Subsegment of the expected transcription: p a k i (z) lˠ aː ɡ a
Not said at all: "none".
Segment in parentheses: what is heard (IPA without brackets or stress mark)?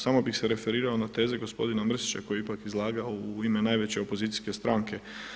z